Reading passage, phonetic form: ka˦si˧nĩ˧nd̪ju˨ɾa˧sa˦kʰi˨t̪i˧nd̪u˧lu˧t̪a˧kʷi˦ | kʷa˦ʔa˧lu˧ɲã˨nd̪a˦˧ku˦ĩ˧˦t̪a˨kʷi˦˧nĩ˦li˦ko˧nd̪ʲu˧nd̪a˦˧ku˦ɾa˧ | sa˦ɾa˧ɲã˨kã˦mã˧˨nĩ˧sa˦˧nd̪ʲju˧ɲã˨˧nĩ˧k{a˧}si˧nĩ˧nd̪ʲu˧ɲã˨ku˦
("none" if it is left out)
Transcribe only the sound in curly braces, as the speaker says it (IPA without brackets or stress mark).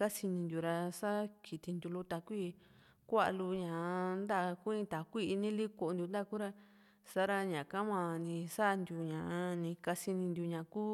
a˧